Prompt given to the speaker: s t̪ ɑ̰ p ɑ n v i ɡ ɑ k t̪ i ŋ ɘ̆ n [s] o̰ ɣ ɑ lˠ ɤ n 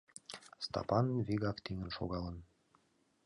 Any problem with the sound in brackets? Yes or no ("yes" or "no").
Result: yes